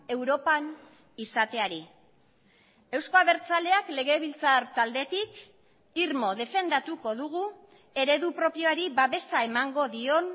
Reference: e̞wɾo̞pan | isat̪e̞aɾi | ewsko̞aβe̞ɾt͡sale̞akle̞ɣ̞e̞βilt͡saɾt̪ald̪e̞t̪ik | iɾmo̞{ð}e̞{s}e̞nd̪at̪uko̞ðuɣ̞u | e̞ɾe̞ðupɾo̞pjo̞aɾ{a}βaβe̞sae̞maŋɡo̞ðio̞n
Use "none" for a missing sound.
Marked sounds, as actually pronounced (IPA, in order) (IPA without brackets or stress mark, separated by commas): ð, f, i